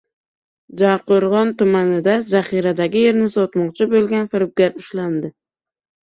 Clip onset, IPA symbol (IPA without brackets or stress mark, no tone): d͡ʒ